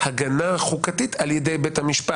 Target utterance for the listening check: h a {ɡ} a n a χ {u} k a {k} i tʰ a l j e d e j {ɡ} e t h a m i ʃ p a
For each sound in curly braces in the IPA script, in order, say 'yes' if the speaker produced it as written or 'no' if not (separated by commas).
yes, yes, no, no